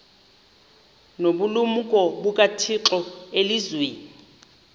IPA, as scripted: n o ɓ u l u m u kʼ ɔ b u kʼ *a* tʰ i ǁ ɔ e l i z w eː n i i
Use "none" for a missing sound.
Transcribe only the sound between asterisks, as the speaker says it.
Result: a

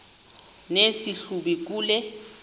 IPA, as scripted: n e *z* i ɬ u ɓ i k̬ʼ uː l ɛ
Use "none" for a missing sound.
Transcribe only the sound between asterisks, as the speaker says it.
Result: s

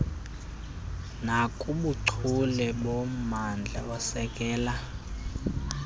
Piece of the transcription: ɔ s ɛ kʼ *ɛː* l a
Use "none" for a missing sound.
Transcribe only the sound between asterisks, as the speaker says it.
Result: ɛː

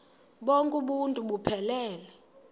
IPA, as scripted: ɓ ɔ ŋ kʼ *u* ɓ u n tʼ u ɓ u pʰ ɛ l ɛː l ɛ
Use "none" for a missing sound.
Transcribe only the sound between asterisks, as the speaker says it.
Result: u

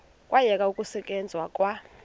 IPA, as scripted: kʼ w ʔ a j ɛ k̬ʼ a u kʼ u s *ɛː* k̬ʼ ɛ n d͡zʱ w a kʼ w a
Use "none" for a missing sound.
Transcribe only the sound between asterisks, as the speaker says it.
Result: ɛ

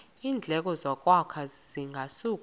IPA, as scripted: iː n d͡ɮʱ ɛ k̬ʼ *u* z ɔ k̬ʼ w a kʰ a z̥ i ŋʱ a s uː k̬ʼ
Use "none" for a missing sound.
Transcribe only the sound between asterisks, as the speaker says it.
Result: ɔ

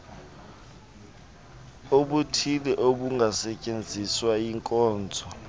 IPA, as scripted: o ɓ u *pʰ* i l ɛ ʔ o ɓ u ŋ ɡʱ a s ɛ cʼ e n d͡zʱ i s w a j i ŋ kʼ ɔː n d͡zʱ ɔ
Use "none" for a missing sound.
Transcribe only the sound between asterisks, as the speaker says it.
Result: tʰ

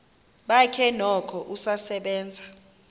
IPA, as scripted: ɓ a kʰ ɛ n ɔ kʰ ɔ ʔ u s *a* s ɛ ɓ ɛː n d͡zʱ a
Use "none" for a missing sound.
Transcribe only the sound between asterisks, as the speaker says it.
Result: a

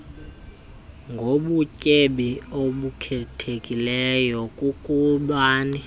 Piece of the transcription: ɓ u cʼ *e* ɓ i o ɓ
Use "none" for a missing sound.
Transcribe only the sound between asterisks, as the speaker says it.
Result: e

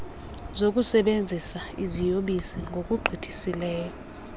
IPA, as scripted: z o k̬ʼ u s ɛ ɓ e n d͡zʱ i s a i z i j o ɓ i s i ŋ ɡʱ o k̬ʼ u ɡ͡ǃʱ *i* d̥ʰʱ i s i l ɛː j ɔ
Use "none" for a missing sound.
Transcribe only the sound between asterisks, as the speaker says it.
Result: i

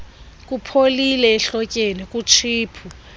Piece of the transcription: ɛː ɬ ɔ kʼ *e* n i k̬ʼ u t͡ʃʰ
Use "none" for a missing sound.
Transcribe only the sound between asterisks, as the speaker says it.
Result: e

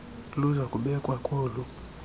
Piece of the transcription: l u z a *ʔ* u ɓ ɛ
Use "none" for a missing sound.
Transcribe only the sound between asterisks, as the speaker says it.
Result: k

